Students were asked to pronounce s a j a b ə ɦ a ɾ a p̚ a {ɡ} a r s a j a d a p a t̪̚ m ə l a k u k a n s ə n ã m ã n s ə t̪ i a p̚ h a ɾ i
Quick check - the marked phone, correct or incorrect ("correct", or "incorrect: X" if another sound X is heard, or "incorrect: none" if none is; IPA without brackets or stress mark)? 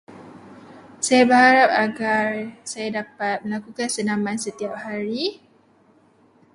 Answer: correct